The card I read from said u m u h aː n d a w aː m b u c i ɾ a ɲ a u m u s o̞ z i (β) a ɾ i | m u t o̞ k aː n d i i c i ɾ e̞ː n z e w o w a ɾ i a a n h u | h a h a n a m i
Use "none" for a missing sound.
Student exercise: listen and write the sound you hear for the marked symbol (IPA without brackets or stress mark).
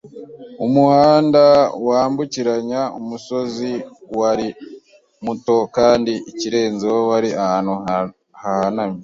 w